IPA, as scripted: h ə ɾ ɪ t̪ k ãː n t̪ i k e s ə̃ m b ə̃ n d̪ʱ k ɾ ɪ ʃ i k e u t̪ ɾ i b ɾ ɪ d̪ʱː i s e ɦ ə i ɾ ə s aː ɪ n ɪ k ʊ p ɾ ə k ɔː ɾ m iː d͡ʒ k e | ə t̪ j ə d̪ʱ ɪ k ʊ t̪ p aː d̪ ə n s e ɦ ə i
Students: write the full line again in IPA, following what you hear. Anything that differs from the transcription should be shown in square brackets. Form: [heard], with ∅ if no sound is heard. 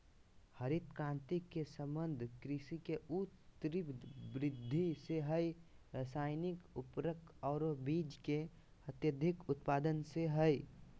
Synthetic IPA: h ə ɾ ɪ t̪ k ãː n t̪ i k e s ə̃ m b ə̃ n d̪ʱ k ɾ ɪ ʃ i k e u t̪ ɾ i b ɾ ɪ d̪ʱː i s e ɦ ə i ɾ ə s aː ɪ n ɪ k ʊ p ɾ ə k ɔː ɾ [b] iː d͡ʒ k e | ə t̪ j ə d̪ʱ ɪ k ʊ t̪ p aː d̪ ə n s e ɦ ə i